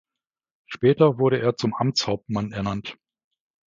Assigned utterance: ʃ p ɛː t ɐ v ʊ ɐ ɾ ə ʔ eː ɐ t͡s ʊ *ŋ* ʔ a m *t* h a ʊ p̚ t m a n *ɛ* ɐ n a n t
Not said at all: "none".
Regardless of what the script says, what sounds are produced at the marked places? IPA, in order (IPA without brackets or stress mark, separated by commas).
m, t͡s, ɛ